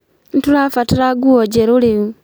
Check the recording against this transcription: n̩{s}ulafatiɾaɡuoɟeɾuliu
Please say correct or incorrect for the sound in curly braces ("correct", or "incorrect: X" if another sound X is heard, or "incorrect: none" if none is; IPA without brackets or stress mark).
incorrect: t